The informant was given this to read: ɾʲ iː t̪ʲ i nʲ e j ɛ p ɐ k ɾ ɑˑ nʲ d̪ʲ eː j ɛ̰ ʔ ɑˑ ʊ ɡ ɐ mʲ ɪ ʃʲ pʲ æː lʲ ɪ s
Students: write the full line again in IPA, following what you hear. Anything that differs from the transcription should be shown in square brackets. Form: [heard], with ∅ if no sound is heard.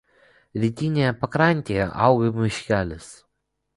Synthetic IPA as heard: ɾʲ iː t̪ʲ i nʲ e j ɛ p ɐ k ɾ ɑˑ nʲ [t̪ʲ] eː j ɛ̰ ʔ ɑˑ ʊ ɡ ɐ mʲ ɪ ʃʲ [kʲ] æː lʲ ɪ s